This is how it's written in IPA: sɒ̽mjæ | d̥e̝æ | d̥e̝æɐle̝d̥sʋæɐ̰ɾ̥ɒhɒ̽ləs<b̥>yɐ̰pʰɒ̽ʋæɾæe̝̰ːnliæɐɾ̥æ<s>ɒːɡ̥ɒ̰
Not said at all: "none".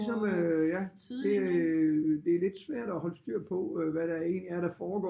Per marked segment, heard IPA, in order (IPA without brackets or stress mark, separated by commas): d̥, f